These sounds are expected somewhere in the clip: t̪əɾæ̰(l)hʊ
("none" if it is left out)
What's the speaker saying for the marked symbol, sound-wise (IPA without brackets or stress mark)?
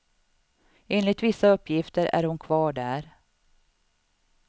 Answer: ɾ